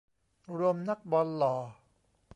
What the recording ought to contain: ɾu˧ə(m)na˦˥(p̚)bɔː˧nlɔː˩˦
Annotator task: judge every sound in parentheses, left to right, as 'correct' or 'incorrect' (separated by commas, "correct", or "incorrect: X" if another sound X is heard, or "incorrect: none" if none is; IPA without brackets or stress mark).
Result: correct, incorrect: k̚